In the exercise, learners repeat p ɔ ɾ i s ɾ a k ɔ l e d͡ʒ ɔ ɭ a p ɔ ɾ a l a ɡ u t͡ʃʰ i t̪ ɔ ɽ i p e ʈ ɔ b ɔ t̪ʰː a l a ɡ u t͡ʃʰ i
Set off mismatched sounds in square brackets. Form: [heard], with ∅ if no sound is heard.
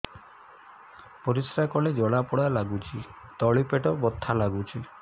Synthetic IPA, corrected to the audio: p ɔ ɾ i s ɾ a k ɔ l e d͡ʒ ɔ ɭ a p ɔ [ɽ] a l a ɡ u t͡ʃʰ i t̪ ɔ [ɭ] i p e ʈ ɔ b ɔ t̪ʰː a l a ɡ u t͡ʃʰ i